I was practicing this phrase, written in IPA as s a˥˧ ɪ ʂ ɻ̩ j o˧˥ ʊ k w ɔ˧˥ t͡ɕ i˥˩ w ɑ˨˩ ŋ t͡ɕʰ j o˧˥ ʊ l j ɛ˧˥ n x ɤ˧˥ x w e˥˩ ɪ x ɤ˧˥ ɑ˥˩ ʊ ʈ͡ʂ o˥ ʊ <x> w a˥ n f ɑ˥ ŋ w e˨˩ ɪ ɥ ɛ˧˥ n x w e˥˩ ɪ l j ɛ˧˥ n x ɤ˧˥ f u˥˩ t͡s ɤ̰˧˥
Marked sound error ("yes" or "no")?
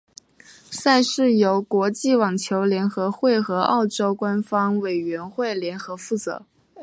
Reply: yes